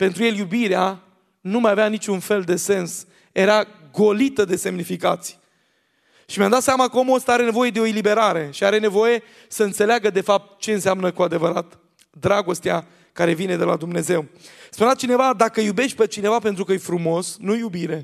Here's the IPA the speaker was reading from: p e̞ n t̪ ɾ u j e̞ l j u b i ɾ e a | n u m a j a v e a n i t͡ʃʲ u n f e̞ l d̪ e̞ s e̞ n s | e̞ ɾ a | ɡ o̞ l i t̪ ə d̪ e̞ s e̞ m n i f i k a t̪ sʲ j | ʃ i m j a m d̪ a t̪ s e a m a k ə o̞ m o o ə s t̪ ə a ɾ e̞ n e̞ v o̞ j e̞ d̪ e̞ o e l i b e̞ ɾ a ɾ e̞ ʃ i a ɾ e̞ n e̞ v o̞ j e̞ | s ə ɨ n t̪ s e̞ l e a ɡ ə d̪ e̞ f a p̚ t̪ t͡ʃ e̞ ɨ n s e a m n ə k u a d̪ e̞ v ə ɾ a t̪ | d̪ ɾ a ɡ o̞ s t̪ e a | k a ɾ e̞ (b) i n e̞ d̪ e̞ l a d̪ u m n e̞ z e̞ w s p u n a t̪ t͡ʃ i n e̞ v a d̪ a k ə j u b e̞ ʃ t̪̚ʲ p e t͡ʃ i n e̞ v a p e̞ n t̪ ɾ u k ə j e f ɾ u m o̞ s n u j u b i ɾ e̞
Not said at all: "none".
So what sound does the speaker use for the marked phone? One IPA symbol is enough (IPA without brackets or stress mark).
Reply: v